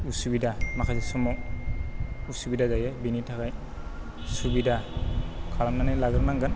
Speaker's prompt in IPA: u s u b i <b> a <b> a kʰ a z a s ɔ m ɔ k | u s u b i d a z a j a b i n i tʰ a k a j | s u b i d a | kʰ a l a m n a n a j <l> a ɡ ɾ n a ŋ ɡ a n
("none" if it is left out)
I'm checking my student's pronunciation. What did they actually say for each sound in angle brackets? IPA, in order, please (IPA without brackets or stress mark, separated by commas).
d, m, l